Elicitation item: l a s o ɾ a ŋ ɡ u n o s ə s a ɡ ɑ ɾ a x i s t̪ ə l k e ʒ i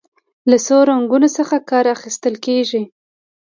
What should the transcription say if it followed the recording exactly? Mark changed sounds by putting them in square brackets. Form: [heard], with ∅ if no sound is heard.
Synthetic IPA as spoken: l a s o ɾ a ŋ ɡ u n o s ə [x] a [k] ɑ ɾ a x i s t̪ ə l k e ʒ i